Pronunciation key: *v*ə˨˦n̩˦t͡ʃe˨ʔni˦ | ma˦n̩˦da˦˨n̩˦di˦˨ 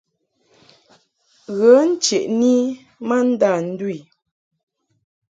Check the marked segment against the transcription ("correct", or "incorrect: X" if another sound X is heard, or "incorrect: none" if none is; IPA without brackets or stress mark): incorrect: ɣ